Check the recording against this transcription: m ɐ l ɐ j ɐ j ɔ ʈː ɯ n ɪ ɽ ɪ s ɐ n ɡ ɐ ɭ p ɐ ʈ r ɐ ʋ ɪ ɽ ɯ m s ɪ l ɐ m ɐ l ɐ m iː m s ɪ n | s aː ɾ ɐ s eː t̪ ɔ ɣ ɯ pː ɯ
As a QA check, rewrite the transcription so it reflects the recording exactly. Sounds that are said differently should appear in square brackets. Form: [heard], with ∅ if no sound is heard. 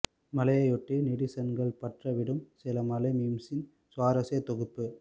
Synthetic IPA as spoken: m ɐ l ɐ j ɐ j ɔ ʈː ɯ n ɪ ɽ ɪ s ɐ n ɡ ɐ ɭ p ɐ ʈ r ɐ ʋ ɪ ɽ ɯ m s ɪ l ɐ m ɐ l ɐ m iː m s ɪ n | s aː ɾ ɐ s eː t̪ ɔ ɣ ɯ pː ɯ